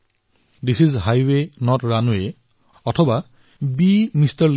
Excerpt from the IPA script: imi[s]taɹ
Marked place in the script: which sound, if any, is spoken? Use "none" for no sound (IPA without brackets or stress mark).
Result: s